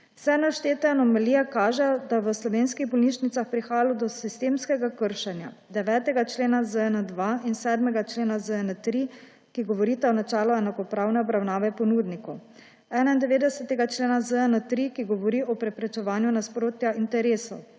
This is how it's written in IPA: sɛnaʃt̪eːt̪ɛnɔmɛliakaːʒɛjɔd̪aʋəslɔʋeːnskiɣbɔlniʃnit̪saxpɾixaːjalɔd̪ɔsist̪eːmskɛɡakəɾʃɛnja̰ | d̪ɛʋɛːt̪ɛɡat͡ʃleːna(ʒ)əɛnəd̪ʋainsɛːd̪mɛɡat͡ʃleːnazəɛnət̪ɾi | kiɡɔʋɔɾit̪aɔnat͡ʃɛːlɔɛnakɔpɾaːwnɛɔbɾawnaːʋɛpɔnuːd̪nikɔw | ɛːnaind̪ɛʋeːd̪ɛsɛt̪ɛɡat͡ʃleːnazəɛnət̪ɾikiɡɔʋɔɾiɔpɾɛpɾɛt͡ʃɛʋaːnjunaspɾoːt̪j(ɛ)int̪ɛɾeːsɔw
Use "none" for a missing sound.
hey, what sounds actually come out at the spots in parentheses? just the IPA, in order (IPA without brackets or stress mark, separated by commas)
z, a